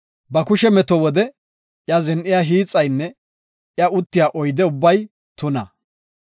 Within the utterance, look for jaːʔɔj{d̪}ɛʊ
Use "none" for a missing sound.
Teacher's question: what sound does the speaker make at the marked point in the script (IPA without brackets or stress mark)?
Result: d̪